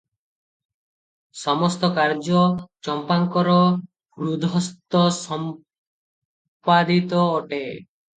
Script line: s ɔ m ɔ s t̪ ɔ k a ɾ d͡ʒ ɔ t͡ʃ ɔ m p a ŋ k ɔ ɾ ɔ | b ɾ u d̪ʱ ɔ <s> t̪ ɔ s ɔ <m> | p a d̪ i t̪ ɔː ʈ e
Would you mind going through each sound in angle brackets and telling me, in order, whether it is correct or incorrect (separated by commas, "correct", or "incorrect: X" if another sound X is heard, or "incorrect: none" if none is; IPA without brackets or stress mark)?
correct, correct